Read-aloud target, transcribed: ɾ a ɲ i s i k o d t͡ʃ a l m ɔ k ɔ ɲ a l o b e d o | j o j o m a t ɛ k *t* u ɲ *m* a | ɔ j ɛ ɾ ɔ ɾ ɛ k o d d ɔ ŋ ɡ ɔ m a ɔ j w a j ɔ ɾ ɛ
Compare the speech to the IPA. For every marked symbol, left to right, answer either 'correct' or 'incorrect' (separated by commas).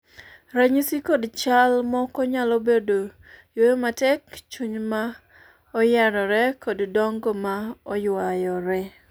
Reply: incorrect, correct